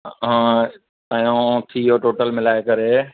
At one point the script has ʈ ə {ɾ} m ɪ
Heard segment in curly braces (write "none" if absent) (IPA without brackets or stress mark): l